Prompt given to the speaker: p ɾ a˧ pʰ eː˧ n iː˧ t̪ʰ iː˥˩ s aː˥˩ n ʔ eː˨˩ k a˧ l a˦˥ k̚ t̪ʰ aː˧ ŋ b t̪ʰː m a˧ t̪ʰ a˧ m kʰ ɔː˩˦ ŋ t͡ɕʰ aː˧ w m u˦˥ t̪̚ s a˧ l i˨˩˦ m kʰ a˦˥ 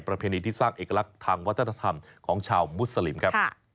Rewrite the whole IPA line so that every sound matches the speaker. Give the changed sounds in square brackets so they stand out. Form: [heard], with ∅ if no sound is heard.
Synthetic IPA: p ɾ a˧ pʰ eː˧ n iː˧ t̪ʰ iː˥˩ s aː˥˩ [ŋ] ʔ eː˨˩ k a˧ l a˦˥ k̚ t̪ʰ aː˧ ŋ [w] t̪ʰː [n] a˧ t̪ʰ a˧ m kʰ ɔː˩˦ ŋ t͡ɕʰ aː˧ w m u˦˥ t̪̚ s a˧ l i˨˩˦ m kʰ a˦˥